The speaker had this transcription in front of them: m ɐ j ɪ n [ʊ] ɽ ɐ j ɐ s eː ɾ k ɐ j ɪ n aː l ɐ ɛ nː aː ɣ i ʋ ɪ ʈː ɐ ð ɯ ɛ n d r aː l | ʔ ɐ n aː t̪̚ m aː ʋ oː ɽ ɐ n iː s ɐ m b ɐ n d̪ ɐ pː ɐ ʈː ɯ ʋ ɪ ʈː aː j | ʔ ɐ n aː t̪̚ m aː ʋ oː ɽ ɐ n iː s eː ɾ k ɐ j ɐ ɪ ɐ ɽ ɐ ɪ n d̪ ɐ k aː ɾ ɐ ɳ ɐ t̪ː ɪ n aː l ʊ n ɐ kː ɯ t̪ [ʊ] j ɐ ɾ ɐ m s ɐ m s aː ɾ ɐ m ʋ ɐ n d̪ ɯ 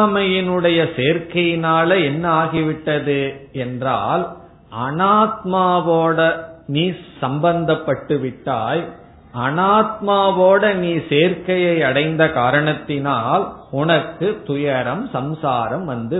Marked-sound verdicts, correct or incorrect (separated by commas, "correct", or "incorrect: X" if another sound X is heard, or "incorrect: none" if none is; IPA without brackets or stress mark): incorrect: ɯ, correct